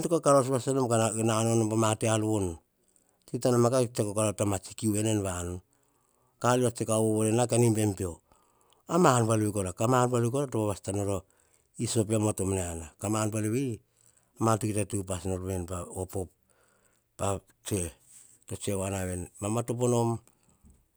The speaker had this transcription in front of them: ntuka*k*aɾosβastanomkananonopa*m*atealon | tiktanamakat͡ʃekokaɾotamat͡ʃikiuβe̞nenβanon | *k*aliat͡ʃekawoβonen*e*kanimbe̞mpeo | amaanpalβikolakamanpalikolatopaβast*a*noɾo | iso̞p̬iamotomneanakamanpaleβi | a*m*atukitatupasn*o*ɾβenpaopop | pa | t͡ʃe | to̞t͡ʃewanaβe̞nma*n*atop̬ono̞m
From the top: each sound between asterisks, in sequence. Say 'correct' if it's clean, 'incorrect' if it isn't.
correct, correct, correct, incorrect, correct, correct, correct, incorrect

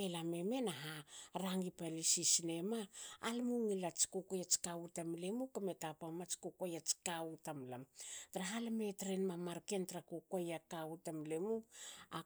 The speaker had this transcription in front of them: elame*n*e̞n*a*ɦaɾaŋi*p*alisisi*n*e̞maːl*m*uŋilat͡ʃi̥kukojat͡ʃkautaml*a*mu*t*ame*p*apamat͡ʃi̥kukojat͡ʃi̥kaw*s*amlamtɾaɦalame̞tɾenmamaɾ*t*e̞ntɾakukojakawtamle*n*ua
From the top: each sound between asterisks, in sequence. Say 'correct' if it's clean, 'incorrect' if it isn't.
incorrect, correct, correct, correct, correct, incorrect, incorrect, incorrect, incorrect, incorrect, incorrect

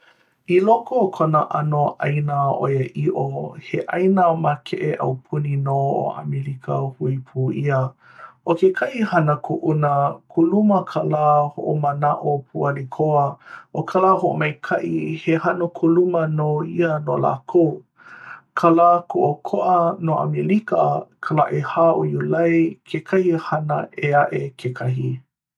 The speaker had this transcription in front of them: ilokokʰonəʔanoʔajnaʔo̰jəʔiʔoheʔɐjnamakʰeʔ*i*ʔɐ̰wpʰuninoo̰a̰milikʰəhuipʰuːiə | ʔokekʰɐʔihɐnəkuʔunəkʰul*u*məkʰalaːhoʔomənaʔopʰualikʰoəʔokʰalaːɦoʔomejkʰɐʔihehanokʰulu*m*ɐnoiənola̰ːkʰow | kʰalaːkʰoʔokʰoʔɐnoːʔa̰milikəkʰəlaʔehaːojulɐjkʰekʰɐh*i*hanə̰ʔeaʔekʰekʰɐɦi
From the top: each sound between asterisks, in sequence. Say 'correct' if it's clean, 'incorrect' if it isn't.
incorrect, correct, correct, correct

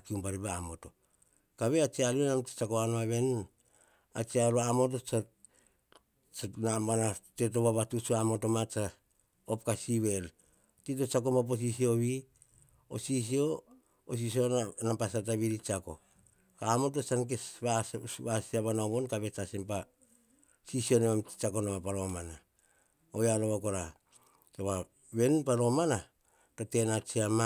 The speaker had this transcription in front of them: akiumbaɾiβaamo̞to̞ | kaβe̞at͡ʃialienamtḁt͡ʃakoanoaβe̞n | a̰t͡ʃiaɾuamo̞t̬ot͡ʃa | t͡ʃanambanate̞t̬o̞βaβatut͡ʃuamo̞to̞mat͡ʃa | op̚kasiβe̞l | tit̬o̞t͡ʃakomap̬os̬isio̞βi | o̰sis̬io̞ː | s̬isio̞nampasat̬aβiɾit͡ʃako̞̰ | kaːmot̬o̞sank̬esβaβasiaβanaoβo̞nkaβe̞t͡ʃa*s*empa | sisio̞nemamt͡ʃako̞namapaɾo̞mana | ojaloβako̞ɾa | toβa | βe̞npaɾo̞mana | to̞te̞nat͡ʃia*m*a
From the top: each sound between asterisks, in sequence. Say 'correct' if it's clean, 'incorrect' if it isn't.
correct, correct

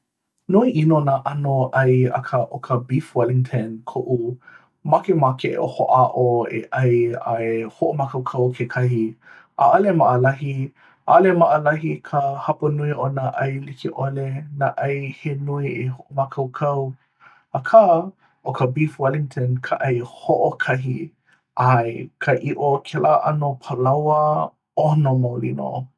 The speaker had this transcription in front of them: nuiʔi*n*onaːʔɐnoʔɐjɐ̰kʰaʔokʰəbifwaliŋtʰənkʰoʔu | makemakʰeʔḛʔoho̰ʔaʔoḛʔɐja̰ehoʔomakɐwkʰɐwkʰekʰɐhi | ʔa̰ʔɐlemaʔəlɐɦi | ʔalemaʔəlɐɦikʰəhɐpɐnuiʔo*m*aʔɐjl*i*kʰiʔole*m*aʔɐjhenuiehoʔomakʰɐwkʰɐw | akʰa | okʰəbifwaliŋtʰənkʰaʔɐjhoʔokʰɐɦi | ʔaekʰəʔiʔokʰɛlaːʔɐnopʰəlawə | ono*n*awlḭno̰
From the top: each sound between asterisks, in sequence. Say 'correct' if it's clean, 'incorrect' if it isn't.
correct, incorrect, correct, incorrect, incorrect

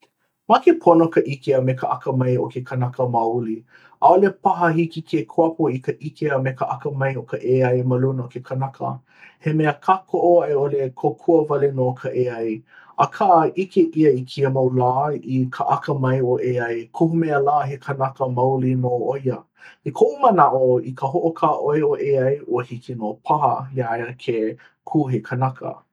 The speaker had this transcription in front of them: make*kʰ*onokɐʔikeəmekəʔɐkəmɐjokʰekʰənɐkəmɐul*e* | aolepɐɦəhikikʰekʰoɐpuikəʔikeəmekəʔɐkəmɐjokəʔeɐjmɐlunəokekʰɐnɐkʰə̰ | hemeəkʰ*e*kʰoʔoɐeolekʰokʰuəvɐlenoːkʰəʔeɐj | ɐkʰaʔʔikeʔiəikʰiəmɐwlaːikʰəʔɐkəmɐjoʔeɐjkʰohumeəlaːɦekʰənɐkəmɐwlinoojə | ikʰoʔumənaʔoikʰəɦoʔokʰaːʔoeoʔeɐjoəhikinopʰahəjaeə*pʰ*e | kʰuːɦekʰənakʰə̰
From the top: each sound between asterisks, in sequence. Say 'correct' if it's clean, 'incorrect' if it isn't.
incorrect, incorrect, incorrect, incorrect

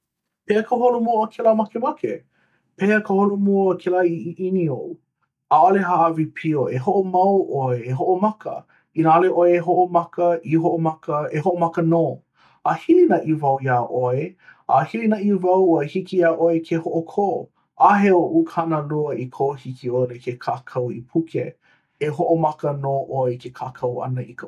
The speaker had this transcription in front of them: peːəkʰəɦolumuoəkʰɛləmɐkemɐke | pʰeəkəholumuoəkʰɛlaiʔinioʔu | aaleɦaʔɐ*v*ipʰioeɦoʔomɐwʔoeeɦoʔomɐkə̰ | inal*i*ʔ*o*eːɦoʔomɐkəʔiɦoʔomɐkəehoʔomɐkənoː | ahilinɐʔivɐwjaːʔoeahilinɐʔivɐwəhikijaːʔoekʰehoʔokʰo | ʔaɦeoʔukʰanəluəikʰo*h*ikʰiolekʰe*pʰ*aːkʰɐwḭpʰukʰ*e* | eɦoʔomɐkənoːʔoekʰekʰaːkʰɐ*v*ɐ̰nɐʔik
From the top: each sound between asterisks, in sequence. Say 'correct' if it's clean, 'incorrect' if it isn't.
correct, incorrect, correct, correct, incorrect, correct, incorrect

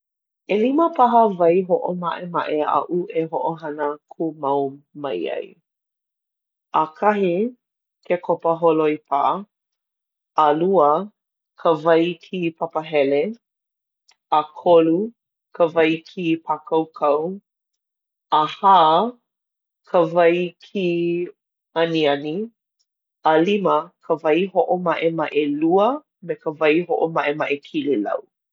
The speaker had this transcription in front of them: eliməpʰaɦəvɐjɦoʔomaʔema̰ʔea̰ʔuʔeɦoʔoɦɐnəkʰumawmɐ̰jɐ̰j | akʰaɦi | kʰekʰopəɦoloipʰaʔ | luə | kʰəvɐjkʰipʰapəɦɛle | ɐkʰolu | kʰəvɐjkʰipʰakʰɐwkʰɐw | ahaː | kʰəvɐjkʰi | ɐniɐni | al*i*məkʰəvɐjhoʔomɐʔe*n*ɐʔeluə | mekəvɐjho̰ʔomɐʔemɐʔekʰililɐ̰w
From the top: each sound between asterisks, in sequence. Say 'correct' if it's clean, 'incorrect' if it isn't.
correct, incorrect

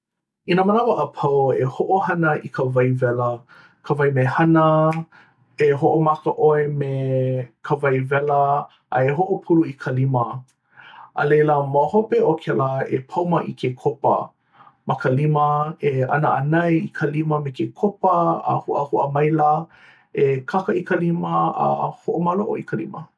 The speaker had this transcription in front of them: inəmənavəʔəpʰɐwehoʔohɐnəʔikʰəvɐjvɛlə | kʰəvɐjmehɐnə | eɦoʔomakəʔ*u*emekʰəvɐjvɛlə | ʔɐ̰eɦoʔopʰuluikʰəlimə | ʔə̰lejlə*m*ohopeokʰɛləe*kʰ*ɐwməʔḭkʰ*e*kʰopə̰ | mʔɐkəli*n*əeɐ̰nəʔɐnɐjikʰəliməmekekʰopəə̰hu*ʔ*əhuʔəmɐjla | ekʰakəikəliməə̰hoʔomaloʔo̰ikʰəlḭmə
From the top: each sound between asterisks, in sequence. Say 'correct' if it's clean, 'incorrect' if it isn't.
incorrect, correct, incorrect, correct, incorrect, correct

